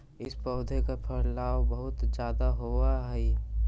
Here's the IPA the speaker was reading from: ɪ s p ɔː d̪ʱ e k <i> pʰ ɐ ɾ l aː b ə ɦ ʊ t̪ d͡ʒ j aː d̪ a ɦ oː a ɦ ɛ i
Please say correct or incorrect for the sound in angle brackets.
incorrect